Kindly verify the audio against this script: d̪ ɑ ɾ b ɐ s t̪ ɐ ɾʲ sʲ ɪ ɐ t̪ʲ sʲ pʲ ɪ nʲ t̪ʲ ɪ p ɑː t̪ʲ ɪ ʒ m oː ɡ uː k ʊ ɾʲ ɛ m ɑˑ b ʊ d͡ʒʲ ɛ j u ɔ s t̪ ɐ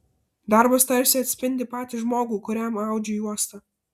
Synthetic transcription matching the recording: d̪ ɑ ɾ b ɐ s t̪ ɐ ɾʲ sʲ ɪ ɐ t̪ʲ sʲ pʲ ɪ nʲ d̪ʲ ɪ p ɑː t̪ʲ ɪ ʒ m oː ɡ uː k ʊ ɾʲ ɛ m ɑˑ ʊ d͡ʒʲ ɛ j u ɔ s t̪ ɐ